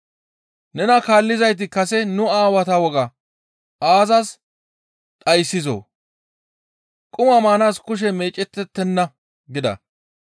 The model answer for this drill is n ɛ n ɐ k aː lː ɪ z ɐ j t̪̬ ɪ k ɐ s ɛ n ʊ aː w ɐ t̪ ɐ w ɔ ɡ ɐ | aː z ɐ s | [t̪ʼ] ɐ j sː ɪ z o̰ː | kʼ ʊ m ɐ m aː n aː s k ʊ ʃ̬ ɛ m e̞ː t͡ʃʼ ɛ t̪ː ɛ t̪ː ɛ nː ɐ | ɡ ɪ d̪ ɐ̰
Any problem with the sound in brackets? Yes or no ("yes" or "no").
no